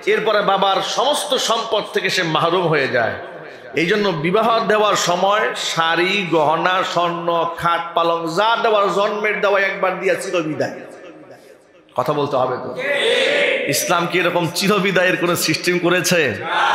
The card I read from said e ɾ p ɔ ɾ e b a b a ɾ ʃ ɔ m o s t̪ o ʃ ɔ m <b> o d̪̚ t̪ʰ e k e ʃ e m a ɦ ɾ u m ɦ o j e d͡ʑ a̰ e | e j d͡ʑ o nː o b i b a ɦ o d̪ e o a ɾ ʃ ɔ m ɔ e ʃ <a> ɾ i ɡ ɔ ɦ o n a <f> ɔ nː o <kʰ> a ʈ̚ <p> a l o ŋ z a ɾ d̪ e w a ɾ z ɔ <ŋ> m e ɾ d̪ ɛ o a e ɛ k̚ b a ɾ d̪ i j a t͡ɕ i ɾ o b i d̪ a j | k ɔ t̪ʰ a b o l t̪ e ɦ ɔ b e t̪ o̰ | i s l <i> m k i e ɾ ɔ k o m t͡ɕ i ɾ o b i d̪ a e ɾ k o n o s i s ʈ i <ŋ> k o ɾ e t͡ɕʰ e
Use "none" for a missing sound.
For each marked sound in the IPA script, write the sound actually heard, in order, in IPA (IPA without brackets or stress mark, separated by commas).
p, a, ʃ, kʰ, p, n, a, m